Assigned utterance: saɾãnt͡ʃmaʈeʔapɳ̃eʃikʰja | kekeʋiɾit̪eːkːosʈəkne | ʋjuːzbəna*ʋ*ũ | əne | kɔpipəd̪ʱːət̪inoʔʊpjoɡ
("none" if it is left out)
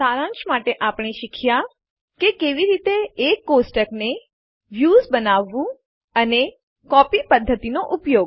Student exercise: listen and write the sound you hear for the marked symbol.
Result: ʋː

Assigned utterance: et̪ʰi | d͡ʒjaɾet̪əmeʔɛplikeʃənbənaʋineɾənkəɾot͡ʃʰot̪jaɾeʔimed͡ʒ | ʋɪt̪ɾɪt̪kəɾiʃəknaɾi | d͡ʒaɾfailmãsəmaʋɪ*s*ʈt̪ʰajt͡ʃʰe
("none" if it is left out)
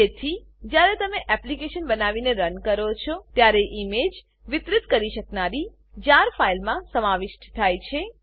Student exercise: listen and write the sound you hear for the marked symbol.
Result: ʃ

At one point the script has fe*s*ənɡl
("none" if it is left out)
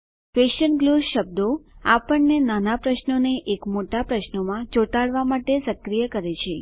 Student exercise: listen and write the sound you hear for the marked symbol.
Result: ʃ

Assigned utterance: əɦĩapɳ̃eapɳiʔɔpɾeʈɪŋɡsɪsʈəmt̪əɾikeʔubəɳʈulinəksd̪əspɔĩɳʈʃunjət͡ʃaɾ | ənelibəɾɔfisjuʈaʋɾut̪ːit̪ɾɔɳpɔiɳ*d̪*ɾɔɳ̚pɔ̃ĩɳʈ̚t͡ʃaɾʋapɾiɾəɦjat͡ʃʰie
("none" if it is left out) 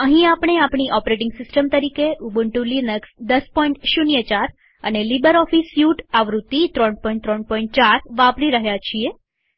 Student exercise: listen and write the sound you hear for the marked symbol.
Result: t̪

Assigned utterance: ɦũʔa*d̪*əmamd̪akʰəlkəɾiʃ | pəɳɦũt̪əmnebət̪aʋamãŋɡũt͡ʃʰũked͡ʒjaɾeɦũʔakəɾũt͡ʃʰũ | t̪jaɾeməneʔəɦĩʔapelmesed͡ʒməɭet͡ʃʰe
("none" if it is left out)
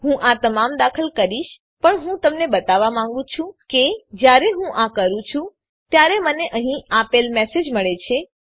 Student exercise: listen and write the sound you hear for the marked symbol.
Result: t̪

